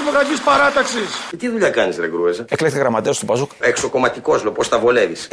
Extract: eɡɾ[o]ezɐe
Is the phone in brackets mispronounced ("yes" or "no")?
yes